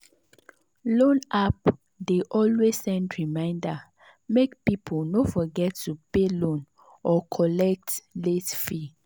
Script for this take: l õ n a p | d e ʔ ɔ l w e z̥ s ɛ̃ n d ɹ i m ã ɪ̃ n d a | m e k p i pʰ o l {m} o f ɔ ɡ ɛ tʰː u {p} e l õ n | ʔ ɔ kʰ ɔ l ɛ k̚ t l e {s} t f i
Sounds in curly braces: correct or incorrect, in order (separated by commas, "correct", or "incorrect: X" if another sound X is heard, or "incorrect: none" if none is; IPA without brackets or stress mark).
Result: incorrect: n, correct, incorrect: none